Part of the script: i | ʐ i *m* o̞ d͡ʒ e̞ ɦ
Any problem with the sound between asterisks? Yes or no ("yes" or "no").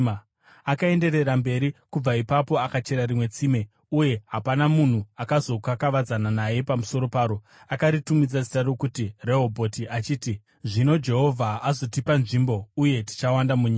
yes